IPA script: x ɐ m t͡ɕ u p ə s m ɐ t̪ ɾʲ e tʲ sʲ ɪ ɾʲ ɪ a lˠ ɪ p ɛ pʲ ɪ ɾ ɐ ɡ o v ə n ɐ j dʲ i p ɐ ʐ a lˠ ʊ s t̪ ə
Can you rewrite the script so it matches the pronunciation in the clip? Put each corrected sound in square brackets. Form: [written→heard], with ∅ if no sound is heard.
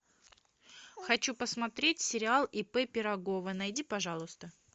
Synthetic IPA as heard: x ɐ [m→∅] t͡ɕ u p ə s m ɐ t̪ ɾʲ e tʲ sʲ ɪ ɾʲ ɪ a lˠ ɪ p ɛ pʲ ɪ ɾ ɐ ɡ o v ə n ɐ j dʲ i p ɐ ʐ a lˠ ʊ s t̪ ə